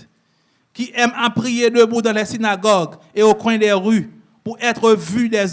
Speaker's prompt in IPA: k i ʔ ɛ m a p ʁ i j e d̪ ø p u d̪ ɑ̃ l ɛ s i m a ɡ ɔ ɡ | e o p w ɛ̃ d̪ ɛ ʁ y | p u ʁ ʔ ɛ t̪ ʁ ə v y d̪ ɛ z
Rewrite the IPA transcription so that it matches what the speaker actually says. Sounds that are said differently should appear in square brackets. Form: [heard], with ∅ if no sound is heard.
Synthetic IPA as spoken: k i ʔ ɛ m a p ʁ i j e d̪ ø [b] u d̪ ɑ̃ l ɛ s i [n] a ɡ ɔ ɡ | e o [k] w ɛ̃ d̪ ɛ ʁ y | p u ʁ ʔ ɛ t̪ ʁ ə v y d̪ ɛ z